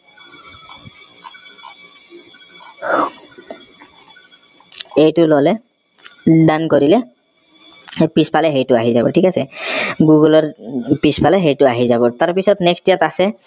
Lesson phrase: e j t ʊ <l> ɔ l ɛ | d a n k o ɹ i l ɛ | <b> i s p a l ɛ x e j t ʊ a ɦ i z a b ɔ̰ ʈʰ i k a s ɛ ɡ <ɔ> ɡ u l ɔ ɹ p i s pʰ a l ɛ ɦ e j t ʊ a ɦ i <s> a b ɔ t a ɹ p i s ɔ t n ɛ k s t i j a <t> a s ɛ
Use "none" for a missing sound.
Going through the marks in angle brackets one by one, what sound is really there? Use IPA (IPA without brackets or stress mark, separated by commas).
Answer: l, p, u, z, t